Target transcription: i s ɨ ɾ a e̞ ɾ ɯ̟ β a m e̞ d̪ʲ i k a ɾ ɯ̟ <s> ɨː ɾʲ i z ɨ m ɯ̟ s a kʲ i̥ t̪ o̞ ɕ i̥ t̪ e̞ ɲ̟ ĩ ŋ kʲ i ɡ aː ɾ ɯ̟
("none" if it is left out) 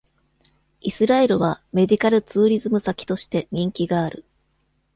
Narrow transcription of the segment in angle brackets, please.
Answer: t͡s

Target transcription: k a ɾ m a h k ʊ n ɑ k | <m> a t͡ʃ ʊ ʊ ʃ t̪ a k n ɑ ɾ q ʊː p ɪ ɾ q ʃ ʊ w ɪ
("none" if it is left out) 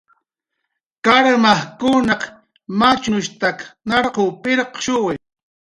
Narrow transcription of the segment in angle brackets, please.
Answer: m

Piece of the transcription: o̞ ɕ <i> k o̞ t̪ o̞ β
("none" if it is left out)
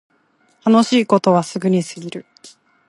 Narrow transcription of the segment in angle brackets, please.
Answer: iː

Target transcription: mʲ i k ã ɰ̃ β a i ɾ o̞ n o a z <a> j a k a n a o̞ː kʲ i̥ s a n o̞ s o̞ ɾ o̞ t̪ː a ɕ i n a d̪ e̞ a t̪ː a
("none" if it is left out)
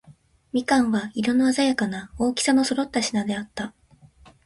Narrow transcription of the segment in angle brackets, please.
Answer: a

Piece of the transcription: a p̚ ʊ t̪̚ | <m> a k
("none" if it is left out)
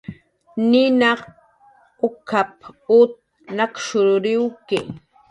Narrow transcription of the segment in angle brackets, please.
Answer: n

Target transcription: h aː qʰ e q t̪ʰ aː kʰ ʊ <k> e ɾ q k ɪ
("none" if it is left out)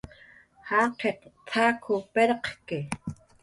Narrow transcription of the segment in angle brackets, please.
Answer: p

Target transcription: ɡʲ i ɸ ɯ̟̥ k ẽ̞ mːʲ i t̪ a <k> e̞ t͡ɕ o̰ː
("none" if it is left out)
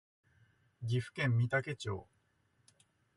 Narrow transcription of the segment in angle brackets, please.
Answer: k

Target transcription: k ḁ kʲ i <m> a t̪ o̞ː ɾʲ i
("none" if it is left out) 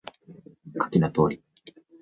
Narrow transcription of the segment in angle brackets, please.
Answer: n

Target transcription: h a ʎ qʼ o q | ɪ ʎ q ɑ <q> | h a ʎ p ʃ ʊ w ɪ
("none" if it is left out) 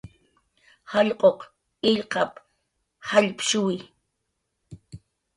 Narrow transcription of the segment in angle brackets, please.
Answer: p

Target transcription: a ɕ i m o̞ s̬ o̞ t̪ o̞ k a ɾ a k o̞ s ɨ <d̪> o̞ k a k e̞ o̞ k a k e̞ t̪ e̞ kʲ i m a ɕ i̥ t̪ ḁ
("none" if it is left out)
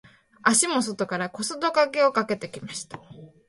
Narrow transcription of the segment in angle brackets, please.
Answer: d̪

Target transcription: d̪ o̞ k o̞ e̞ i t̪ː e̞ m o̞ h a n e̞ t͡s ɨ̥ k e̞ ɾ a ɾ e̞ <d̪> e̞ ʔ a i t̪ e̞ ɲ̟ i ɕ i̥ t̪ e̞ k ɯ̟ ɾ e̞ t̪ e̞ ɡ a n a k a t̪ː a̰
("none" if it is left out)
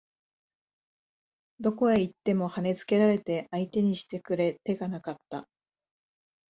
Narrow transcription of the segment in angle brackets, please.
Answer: t̪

